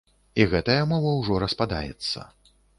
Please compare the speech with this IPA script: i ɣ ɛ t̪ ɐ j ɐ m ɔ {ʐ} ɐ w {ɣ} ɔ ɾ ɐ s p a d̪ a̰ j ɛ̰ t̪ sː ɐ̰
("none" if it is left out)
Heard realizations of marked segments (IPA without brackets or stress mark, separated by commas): v, ʐ